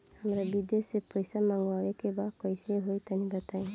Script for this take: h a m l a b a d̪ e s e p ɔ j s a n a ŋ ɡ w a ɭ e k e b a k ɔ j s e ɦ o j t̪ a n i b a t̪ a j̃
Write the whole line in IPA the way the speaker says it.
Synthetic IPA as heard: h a m ɾ a b i d̪ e s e p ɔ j s a m a ŋ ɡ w a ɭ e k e b a k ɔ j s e ɦ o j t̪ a n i b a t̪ a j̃